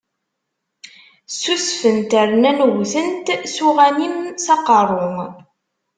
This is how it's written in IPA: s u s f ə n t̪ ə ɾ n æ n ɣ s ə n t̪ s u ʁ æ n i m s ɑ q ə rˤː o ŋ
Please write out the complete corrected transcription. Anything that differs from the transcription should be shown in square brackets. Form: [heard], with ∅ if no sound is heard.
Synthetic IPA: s u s f ə n t̪ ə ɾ n æ n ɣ [θ] ə n t̪ s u ʁ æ n i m s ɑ q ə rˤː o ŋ